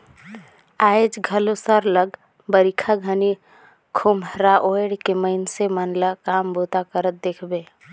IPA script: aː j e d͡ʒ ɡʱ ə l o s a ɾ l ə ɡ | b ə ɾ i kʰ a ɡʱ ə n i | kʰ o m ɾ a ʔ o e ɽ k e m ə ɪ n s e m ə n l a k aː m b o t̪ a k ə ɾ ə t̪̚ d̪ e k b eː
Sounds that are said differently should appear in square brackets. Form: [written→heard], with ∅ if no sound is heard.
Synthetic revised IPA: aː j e d͡ʒ ɡʱ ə l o s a ɾ l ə ɡ | b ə ɾ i kʰ a ɡʱ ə n i | kʰ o m ɾ a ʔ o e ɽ k e m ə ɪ n s e m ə n l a k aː m b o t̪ a k ə ɾ ə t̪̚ d̪ e [k→kʰ] b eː